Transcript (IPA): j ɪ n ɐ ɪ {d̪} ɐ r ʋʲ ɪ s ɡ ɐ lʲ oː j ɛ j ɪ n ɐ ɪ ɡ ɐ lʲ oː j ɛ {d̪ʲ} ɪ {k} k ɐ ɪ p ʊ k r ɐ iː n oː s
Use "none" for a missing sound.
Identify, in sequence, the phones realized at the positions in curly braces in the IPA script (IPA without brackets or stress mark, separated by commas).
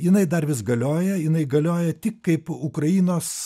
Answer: d̪, t̪ʲ, k